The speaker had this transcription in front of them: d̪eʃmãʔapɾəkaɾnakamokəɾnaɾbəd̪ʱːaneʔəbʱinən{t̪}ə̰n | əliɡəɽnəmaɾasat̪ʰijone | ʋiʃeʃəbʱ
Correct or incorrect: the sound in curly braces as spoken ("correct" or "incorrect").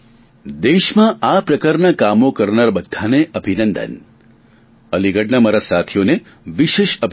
incorrect